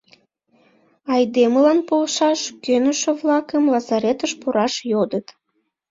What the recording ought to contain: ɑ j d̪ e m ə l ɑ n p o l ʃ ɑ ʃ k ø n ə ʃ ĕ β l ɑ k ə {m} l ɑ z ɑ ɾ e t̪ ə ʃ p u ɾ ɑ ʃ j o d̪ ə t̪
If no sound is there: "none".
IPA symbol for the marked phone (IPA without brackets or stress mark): m